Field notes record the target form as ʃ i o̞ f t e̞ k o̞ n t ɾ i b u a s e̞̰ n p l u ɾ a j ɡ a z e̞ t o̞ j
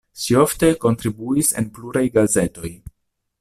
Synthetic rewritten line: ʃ i o̞ f t e̞ k o̞ n t ɾ i b u i s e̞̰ n p l u ɾ a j ɡ a z e̞ t o̞ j

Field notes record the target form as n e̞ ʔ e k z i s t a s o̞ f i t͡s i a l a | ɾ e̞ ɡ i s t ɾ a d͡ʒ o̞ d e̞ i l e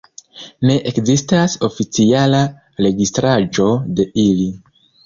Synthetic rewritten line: n e̞ ʔ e k z i s t a s o̞ f i t͡s i a l a | ɾ e̞ ɡ i s t ɾ a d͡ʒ o̞ d e̞ i l i

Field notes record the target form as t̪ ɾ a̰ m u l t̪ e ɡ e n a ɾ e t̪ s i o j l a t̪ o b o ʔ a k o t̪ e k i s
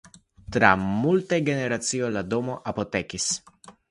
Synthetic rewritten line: t̪ ɾ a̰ m u l t̪ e ɡ e n e ɾ a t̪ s i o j l a d̪ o m o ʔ a p o t̪ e k i s

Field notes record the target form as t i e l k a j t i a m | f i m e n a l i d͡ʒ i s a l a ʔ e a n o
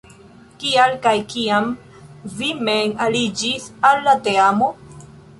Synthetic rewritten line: k i a l k a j k i a m | v i m e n a l i d͡ʒ i s a lː a t e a m o

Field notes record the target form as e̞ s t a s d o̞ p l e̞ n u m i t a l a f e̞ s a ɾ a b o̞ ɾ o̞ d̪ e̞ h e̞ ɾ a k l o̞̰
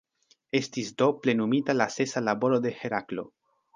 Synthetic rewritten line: e̞ s t i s d o̞ p l e̞ n u m i t a l a s e̞ s a l a b o̞ ɾ o̞ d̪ e̞ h e̞ ɾ a k l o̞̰

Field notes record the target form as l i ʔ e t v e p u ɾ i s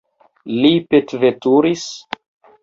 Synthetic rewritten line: l i p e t v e t u ɾ i s

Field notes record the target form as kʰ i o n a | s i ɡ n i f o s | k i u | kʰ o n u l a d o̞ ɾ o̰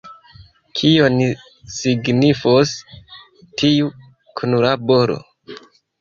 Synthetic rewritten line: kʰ i o n i | s i ɡ n i f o s | t i u | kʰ u n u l a b o̞ ɾ o̰

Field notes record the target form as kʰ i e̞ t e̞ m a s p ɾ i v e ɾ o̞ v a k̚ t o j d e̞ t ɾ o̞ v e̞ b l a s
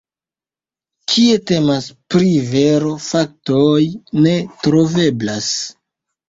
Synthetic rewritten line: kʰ i e̞ t e̞ m a s p ɾ i v e ɾ o̞ f a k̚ t o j n e̞ t ɾ o̞ v e̞ b l a s

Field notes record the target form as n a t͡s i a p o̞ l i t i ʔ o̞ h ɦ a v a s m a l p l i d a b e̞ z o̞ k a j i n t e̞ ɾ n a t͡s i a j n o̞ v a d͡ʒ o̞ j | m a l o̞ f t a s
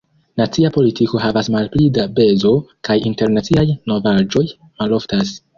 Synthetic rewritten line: n a t͡s i a p o̞ l i t i k o̞ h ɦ a v a s m a l p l i d a b e̞ z o̞ k a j i n t e̞ ɾ n a t͡s i a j n o̞ v a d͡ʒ o̞ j | m a l o̞ f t a s

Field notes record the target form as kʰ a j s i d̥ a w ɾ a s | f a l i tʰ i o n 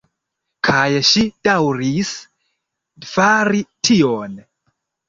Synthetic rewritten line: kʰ a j ʃ i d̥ a w ɾ i s | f a ɾ i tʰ i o n

